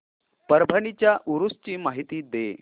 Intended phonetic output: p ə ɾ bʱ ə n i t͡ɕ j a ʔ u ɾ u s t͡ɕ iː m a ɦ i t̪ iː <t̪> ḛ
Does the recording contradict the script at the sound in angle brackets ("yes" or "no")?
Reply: yes